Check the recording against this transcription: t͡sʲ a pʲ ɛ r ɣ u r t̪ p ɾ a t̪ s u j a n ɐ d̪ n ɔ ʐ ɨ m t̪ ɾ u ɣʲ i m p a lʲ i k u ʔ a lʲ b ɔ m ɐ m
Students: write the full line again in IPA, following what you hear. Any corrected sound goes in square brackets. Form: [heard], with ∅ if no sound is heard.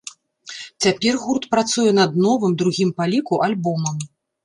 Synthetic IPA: t͡sʲ a pʲ ɛ r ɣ u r t̪ p ɾ a t̪ s u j [ɛ] n ɐ d̪ n ɔ [v] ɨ m [d̪] ɾ u ɣʲ i m p a lʲ i k u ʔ a lʲ b ɔ m ɐ m